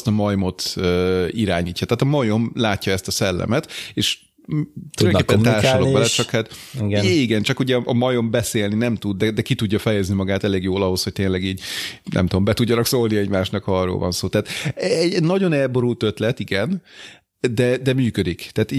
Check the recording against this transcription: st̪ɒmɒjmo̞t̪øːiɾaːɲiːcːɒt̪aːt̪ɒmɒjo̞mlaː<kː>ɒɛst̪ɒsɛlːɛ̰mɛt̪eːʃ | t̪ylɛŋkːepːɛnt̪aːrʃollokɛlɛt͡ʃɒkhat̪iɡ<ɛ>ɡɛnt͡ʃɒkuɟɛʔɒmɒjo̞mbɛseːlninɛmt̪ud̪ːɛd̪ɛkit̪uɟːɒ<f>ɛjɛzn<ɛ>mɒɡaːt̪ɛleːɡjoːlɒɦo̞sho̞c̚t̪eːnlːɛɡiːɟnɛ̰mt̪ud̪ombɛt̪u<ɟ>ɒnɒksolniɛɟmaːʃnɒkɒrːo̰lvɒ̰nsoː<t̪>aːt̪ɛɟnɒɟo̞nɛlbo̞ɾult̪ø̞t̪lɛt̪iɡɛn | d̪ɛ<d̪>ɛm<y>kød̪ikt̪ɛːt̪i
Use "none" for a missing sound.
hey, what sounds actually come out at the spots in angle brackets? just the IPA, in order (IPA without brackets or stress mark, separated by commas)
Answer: cː, i, f, i, ɟː, t̪, d̪, yː